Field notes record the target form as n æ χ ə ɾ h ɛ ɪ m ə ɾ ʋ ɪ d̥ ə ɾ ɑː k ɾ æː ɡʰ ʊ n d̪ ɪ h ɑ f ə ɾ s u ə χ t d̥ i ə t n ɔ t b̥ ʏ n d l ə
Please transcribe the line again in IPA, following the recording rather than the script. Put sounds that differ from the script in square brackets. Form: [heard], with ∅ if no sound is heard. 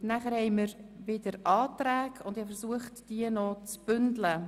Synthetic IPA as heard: n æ χ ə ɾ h ɛ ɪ m ə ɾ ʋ ɪ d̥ ə ɾ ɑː [t] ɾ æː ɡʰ ʊ n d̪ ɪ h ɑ f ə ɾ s u ə χ t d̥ i ə [∅] n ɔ [t͡s] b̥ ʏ n d l ə